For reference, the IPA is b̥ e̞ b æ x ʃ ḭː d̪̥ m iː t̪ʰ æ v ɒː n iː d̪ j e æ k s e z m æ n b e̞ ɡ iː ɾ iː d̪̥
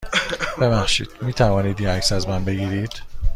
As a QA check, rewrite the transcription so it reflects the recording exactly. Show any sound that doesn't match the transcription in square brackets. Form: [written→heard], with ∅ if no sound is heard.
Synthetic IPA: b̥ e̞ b æ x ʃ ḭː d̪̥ m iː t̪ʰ æ v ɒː n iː d̪ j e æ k s [e→æ] z m æ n b e̞ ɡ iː ɾ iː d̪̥